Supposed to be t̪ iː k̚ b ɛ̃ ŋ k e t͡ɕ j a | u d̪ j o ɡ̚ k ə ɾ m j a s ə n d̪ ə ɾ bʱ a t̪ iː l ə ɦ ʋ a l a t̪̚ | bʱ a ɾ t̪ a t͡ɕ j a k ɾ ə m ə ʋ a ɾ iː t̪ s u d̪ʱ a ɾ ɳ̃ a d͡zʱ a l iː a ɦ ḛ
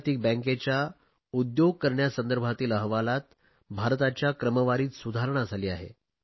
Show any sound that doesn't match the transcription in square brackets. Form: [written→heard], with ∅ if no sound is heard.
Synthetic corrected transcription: t̪ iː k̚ b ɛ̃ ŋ k e t͡ɕ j a | u d̪ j o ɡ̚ k ə ɾ [m→ɳ] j a s ə n d̪ ə ɾ bʱ a t̪ iː l ə ɦ ʋ a l a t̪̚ | bʱ a ɾ t̪ a t͡ɕ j a k ɾ ə m ə ʋ a ɾ iː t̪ s u d̪ʱ a ɾ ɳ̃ a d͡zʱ a l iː a ɦ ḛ